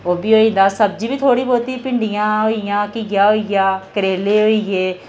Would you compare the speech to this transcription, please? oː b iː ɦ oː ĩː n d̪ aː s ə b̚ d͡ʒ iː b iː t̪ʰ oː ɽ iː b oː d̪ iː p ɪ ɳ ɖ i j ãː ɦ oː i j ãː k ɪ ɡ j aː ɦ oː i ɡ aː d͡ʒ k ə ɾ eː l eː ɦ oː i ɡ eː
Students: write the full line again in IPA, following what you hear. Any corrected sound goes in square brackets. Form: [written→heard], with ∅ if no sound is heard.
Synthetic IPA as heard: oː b iː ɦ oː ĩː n d̪ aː s ə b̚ d͡ʒ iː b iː t̪ʰ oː ɽ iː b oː [d̪→t̪] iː p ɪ ɳ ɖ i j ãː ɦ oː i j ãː k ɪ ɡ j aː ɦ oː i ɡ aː [d͡ʒ→∅] k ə ɾ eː l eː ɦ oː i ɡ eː

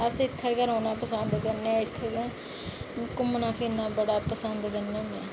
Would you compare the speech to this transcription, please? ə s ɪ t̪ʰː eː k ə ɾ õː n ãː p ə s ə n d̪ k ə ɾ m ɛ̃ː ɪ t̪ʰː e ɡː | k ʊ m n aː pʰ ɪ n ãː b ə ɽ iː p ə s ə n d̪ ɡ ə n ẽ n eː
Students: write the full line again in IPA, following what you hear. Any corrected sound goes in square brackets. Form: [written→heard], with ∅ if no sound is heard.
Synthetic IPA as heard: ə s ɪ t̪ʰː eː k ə ɾ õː n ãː p ə s ə n d̪ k ə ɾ [m→n] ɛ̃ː ɪ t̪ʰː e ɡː | k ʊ m n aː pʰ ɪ n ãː b ə ɽ [iː→aː] p ə s ə n d̪ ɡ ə n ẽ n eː

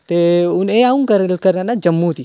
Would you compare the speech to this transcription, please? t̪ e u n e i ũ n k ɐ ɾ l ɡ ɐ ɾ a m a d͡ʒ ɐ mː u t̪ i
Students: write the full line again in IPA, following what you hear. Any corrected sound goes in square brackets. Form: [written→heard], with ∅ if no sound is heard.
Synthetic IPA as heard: t̪ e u n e [i→a] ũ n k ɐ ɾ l [ɡ→k] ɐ ɾ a [m→n] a d͡ʒ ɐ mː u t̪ i

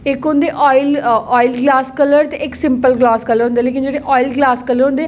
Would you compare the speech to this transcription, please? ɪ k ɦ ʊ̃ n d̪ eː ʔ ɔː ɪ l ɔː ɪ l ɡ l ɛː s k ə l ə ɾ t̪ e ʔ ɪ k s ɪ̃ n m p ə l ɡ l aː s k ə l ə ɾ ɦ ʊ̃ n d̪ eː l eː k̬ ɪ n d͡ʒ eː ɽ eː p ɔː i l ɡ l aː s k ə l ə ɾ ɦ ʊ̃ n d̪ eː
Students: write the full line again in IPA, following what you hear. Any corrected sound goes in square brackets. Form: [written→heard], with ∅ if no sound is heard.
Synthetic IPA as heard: ɪ k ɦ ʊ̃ n d̪ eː ʔ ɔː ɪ l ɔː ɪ l ɡ l [ɛː→aː] s k ə l ə ɾ t̪ e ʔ ɪ k s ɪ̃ [n→∅] m p ə l ɡ l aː s k ə l ə ɾ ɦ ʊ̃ n d̪ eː l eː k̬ ɪ n d͡ʒ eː ɽ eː [p→ʔ] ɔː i l ɡ l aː s k ə l ə ɾ ɦ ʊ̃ n d̪ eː

